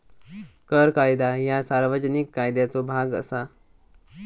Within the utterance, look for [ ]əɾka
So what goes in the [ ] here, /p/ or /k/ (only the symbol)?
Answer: k